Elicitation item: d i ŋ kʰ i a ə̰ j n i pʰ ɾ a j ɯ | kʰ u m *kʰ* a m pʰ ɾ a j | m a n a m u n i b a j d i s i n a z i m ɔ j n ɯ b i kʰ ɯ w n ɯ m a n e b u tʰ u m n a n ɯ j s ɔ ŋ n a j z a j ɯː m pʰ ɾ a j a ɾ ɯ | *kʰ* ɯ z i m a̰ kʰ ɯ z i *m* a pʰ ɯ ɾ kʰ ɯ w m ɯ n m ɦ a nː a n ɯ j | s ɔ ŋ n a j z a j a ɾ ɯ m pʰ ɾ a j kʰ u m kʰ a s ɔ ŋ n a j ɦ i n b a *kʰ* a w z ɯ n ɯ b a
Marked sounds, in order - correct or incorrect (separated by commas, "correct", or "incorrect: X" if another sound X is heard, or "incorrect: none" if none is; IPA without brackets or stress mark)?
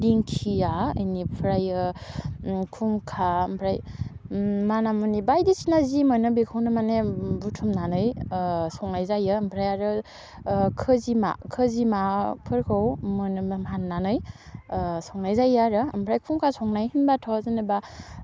correct, correct, correct, incorrect: tʰ